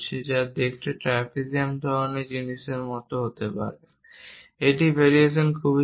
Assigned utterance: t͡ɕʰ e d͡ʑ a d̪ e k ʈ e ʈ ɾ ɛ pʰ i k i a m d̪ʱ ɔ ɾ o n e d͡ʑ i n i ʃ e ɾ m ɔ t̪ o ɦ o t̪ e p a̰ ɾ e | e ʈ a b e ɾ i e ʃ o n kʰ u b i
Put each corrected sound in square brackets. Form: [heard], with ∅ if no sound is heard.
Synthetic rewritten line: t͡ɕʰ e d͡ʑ a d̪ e k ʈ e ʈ ɾ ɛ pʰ i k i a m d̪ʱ ɔ ɾ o n e d͡ʑ i n i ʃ e ɾ m ɔ t̪ o ɦ o t̪ e p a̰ ɾ e | e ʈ [i] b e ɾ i e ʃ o n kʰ u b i